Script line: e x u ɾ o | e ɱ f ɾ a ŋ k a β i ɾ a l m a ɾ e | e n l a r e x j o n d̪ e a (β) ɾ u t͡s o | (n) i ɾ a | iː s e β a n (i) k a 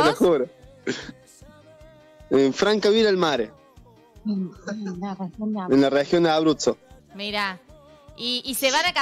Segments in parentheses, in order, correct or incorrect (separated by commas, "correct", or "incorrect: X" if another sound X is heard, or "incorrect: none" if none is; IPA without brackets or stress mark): correct, incorrect: m, incorrect: a